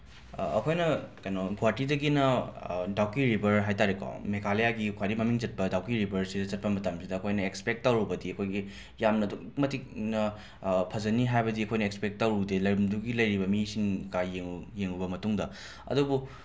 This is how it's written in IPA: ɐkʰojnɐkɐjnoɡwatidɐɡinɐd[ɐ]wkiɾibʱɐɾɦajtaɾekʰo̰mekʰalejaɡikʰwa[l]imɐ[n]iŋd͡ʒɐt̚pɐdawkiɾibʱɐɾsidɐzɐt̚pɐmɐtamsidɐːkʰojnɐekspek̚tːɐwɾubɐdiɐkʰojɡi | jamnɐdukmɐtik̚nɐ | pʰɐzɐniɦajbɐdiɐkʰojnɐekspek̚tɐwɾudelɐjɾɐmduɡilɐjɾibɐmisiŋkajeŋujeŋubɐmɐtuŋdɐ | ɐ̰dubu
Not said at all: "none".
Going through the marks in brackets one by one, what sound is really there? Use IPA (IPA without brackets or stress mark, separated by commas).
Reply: a, ɾ, m